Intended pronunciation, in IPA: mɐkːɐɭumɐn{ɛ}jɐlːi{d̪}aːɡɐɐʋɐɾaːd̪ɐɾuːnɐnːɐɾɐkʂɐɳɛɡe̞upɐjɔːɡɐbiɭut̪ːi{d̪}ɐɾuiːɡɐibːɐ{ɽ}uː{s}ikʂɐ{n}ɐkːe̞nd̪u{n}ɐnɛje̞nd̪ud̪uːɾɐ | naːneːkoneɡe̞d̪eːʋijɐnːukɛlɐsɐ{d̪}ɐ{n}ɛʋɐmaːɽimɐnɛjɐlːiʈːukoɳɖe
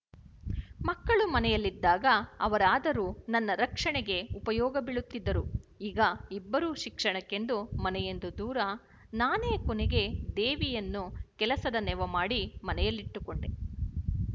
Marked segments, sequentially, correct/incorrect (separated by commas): correct, incorrect, incorrect, incorrect, incorrect, incorrect, incorrect, correct, correct